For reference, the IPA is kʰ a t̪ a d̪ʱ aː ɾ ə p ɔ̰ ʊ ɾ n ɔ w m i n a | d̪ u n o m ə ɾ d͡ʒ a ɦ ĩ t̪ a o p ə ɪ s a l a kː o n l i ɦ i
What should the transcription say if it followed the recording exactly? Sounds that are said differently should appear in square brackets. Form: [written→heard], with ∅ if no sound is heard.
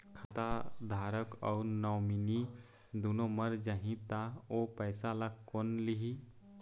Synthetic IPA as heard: kʰ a t̪ a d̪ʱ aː ɾ ə [p→k] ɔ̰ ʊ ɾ n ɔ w m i n [a→i] | d̪ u n o m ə ɾ d͡ʒ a ɦ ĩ t̪ a o p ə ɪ s a l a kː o n l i ɦ i